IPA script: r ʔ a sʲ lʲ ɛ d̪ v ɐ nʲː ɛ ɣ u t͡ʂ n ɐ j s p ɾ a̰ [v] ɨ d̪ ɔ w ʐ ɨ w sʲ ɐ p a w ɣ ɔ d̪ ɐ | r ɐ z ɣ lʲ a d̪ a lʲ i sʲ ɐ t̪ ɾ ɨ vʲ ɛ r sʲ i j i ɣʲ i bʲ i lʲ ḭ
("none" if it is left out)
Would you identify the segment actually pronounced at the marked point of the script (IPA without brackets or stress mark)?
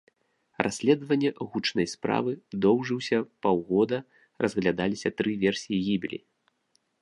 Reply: v